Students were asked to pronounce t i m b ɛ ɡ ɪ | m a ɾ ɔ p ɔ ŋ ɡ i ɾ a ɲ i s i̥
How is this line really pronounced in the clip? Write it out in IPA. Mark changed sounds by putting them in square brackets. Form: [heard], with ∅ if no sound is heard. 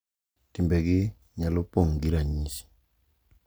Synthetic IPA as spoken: t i m b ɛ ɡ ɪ | [ɲ] a [l] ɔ p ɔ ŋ ɡ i ɾ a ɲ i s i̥